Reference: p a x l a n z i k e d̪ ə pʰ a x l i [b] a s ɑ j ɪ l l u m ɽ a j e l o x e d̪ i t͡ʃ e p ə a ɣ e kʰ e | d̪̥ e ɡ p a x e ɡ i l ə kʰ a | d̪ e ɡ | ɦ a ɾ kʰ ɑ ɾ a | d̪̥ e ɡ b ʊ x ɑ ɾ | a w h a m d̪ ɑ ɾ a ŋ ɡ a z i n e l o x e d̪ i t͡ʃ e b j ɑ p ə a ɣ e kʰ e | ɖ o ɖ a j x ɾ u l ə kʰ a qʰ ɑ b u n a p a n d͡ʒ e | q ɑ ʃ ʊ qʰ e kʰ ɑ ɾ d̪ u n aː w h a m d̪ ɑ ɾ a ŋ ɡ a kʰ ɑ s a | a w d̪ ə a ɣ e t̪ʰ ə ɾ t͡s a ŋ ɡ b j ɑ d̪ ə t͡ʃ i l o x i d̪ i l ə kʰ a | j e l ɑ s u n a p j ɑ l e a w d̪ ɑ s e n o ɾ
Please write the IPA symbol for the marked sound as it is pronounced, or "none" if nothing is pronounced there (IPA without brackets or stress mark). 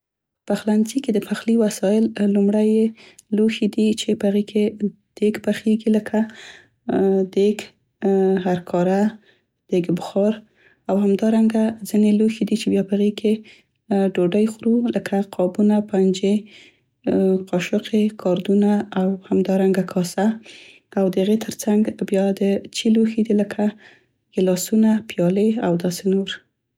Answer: w